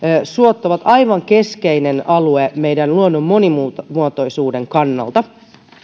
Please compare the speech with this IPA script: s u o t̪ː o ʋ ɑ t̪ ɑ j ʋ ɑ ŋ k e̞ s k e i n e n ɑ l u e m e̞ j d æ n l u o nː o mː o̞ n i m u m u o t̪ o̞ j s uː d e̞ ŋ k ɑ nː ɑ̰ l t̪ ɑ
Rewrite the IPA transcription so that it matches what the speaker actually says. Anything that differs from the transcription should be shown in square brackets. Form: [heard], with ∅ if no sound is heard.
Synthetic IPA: s u o t̪ː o ʋ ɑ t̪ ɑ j ʋ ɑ ŋ k e̞ s k e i n e n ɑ l u e m e̞ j d æ n l u o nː o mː o̞ n i m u m u o t̪ o̞ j s uː d e̞ ŋ k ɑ nː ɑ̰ l t̪ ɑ